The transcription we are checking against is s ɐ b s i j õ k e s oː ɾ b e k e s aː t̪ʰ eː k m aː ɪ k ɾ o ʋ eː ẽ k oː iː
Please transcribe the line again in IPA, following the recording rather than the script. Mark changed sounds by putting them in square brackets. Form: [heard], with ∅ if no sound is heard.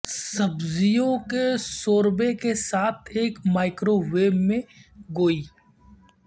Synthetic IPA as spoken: s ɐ b [z] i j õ k e s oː ɾ b e k e s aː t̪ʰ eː k m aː ɪ k ɾ o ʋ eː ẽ [ɡ] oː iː